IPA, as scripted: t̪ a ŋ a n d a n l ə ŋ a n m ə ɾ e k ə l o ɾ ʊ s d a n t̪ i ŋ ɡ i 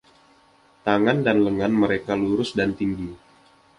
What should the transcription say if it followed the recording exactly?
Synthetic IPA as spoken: t̪ a ŋ a n d a n l ə ŋ a n m ə ɾ e k a l u ɾ ʊ s d a n t̪ i ŋ ɡ i